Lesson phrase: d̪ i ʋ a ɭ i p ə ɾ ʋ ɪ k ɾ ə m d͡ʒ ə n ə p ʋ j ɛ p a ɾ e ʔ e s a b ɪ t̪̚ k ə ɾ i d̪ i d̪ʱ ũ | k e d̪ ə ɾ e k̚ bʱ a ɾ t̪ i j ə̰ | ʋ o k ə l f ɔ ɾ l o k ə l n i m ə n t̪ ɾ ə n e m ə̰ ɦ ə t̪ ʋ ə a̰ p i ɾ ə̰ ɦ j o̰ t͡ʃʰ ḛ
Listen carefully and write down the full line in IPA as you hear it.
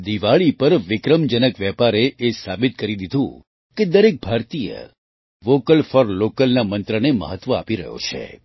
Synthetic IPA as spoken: d̪ i ʋ a ɭ i p ə ɾ ʋ ɪ k ɾ ə m d͡ʒ ə n ə k ʋ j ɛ p a ɾ e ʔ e s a b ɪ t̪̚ k ə ɾ i d̪ i d̪ʱ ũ | k e d̪ ə ɾ e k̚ bʱ a ɾ t̪ i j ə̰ | ʋ o k ə l f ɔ ɾ l o k ə l n a m ə n t̪ ɾ ə n e m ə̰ ɦ ə t̪ ʋ ə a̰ p i ɾ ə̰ ɦ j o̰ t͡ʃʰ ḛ